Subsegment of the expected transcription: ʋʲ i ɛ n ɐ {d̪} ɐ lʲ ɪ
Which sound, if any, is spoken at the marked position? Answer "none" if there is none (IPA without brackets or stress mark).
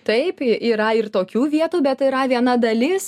d̪